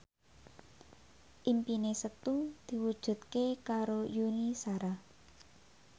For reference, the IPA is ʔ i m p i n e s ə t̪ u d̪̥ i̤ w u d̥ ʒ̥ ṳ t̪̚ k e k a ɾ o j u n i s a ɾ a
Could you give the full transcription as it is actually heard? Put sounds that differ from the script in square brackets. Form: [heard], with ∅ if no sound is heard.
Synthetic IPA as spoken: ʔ i m p i n e s ə t̪ u d̪̥ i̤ w u d̥ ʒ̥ ṳ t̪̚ k e k a ɾ o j u n i s a ɾ a